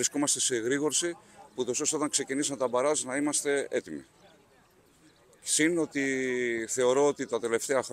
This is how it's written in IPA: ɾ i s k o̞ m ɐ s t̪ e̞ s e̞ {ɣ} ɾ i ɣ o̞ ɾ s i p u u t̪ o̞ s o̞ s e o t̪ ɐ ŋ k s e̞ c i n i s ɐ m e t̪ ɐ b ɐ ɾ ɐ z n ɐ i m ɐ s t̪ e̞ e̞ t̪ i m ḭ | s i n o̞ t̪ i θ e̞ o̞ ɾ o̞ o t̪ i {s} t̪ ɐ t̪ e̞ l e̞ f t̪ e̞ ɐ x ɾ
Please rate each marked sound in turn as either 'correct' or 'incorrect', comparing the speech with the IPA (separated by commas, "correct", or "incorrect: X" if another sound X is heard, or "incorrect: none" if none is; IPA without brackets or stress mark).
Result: correct, incorrect: none